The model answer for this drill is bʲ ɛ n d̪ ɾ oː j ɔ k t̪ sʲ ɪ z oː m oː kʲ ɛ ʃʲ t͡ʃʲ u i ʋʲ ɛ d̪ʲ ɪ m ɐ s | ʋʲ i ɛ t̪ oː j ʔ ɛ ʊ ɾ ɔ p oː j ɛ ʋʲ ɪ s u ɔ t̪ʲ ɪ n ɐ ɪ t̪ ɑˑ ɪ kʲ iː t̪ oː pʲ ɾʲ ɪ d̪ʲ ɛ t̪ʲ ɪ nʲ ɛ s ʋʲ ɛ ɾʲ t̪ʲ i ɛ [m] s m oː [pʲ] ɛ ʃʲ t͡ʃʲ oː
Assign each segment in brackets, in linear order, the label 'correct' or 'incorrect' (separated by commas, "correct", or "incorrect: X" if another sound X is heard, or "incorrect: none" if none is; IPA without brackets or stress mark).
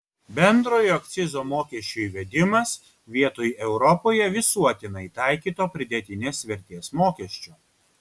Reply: incorrect: none, incorrect: kʲ